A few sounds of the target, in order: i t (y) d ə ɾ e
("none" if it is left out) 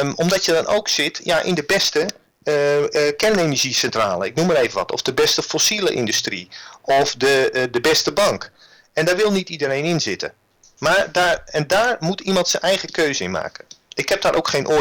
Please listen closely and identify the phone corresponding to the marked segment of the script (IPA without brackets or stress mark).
i